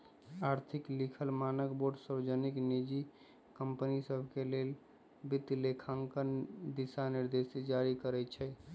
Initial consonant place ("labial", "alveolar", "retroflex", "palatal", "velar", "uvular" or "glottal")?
alveolar